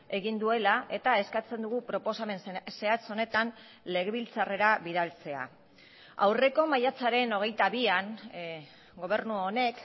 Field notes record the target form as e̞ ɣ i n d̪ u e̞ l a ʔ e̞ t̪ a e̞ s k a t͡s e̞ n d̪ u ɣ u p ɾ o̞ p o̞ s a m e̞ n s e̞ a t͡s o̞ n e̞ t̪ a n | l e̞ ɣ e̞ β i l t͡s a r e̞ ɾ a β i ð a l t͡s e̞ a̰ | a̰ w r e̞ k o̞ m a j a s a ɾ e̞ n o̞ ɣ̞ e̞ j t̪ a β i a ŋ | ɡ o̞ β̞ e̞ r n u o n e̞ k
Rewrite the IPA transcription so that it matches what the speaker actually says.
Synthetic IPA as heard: e̞ ɣ i n d̪ u e̞ l a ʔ e̞ t̪ a e̞ s k a t͡s e̞ n d̪ u ɣ u p ɾ o̞ p o̞ s a m e̞ n s e̞ a t͡s o̞ n e̞ t̪ a n | l e̞ ɣ e̞ β i l t͡s a r e̞ ɾ a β i ð a l t͡s e̞ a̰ | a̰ w r e̞ k o̞ m a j a t͡s a ɾ e̞ n o̞ ɣ̞ e̞ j t̪ a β i a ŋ | ɡ o̞ β̞ e̞ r n u o n e̞ k

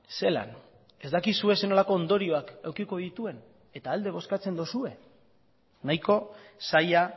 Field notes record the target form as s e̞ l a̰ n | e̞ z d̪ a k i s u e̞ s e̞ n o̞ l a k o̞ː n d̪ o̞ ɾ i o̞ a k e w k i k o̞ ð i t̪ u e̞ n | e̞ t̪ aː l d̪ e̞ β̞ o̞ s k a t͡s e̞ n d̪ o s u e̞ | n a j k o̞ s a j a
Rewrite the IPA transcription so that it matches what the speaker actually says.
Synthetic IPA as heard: s e̞ l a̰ n | e̞ z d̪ a k i s u e̞ s e̞ n o̞ l a k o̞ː n d̪ o̞ ɾ i o̞ a k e w k i k o̞ ð i t̪ u e̞ n | e̞ t̪ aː l d̪ e̞ β̞ o̞ s k a t͡s e̞ n d̪ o s u e̞ | n a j k o̞ s a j a

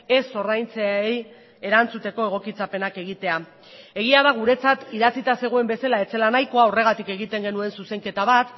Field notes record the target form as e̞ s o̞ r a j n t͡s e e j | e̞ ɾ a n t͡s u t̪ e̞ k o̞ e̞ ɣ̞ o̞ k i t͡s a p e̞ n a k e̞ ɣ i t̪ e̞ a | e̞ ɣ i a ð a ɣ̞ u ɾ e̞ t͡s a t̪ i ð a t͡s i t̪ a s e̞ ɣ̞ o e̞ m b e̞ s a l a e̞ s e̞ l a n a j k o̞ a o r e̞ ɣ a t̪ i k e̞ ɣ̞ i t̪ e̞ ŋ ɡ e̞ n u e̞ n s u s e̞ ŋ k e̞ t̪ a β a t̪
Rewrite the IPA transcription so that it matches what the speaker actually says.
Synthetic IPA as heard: e̞ s o̞ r a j n t͡s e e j | e̞ ɾ a n t͡s u t̪ e̞ k o̞ e̞ ɣ̞ o̞ k i t͡s a p e̞ n a k e̞ ɣ i t̪ e̞ a | e̞ ɣ i a ð a ɣ̞ u ɾ e̞ t͡s a t̪ i ð a t͡s i t̪ a s e̞ ɣ̞ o e̞ m b e̞ s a l a e̞ t͡s e̞ l a n a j k o̞ a o r e̞ ɣ a t̪ i k e̞ ɣ̞ i t̪ e̞ ŋ ɡ e̞ n u e̞ n s u s e̞ ŋ k e̞ t̪ a β a t̪

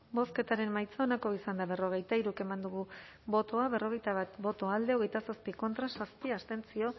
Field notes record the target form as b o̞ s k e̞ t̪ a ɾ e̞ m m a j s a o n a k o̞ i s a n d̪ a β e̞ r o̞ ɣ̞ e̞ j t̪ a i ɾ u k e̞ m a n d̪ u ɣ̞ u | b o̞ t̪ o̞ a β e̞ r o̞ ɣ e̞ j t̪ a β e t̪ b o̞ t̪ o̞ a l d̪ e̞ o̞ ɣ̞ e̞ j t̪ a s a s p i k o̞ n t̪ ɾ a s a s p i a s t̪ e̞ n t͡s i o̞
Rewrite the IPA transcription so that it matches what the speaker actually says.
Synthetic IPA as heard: b o̞ s k e̞ t̪ a ɾ e̞ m m a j t͡s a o n a k o̞ i s a n d̪ a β e̞ r o̞ ɣ̞ e̞ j t̪ a i ɾ u k e̞ m a n d̪ u ɣ̞ u | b o̞ t̪ o̞ a β e̞ r o̞ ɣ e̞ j t̪ a β a t̪ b o̞ t̪ o̞ a l d̪ e̞ o̞ ɣ̞ e̞ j t̪ a s a s p i k o̞ n t̪ ɾ a s a s p i a s t̪ e̞ n t͡s i o̞

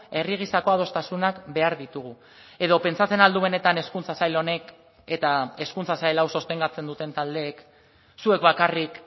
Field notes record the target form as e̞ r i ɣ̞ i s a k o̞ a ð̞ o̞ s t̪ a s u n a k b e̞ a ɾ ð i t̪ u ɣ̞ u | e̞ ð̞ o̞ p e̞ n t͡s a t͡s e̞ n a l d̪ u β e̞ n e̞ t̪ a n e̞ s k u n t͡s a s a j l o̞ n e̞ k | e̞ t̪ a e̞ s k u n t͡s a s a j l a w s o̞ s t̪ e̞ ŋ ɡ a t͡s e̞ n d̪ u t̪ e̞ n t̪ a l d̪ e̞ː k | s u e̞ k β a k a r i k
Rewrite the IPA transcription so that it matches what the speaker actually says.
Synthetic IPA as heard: e̞ r i ɣ̞ i s a k o̞ a ð̞ o̞ s t̪ a s u n a k b e̞ a ɾ ð i t̪ u ɣ̞ u | e̞ ð̞ o̞ p e̞ n t͡s a t͡s e̞ n a l d̪ u β e̞ n e̞ t̪ a n e̞ s k u n t͡s a s a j l o̞ n e̞ k | e̞ t̪ a e̞ s k u n t͡s a s a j l a w s o̞ s t̪ e̞ ŋ ɡ a t͡s e̞ n d̪ u t̪ e̞ n t̪ a l d̪ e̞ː k | s u e̞ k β a k a r i k

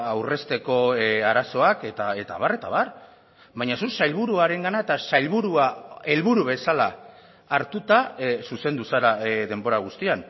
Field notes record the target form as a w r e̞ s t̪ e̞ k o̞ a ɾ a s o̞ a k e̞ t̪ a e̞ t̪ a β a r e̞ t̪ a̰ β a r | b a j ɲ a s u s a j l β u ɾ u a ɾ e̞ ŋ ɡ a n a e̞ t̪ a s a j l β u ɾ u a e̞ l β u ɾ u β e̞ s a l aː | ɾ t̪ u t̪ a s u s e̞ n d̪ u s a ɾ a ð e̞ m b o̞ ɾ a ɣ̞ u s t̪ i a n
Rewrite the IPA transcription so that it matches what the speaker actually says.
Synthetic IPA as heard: a w r e̞ s t̪ e̞ k o̞ a ɾ a s o̞ a k e̞ t̪ a e̞ t̪ a β a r e̞ t̪ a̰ β a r | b a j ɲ a s u s a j l β u ɾ u a ɾ e̞ ŋ ɡ a n a e̞ t̪ a s a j l β u ɾ u a e̞ l β u ɾ u β e̞ s a l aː | ɾ t̪ u t̪ a s u s e̞ n d̪ u s a ɾ a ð e̞ m b o̞ ɾ a ɣ̞ u s t̪ i a n

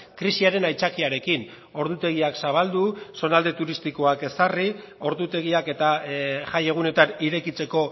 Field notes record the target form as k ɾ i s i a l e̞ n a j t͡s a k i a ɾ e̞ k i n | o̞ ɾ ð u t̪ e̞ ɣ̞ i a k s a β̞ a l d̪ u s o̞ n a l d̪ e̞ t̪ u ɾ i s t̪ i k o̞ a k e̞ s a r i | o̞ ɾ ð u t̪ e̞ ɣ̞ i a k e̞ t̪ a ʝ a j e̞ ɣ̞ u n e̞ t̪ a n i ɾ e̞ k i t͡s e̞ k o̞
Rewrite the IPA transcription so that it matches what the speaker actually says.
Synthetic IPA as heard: k ɾ i s i a ɾ e̞ n a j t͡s a k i a ɾ e̞ k i n | o̞ ɾ ð u t̪ e̞ ɣ̞ i a k s a β̞ a l d̪ u s o̞ n a l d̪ e̞ t̪ u ɾ i s t̪ i k o̞ a k e̞ s a r i | o̞ ɾ ð u t̪ e̞ ɣ̞ i a k e̞ t̪ a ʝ a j e̞ ɣ̞ u n e̞ t̪ a n i ɾ e̞ k i t͡s e̞ k o̞

